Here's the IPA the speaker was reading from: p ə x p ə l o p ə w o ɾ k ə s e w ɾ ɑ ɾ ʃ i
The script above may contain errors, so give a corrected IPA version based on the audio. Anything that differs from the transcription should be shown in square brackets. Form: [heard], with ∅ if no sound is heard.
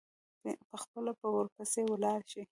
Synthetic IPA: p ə x p ə l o p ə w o ɾ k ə s e w [l] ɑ ɾ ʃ i